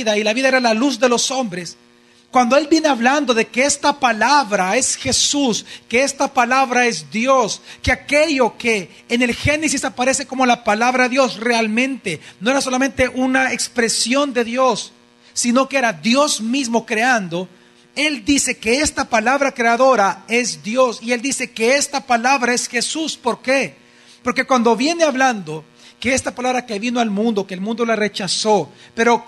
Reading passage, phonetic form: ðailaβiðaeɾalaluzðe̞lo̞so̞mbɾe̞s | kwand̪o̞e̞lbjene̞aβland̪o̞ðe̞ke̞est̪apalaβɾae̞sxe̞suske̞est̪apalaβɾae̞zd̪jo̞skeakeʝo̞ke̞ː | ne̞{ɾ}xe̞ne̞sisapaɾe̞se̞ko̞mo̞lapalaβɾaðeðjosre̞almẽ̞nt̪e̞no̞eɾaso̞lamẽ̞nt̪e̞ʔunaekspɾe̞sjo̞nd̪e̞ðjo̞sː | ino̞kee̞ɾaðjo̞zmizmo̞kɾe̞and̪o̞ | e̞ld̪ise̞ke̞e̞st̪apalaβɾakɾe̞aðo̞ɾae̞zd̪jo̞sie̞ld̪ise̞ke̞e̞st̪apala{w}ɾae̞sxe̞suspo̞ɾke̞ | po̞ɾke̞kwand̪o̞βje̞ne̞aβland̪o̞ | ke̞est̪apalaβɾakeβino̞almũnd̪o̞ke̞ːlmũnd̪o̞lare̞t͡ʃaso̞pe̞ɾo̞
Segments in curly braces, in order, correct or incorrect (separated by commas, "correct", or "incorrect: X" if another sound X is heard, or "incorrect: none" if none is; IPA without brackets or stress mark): incorrect: l, incorrect: β